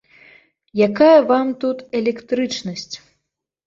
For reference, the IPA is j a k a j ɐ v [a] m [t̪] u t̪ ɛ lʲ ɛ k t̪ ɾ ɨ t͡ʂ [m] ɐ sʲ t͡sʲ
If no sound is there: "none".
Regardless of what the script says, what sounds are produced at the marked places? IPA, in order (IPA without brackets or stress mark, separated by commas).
a, t̪, n